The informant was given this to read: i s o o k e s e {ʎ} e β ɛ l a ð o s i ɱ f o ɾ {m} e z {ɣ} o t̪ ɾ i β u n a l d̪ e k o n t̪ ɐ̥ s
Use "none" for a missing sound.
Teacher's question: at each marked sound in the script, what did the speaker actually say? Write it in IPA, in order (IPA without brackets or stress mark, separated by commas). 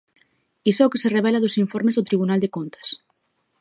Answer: r, m, ð